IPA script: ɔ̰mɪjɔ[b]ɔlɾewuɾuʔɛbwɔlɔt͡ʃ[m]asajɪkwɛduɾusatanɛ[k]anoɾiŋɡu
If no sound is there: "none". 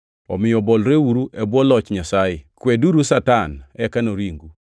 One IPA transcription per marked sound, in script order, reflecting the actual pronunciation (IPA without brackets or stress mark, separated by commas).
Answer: b, ɲ, k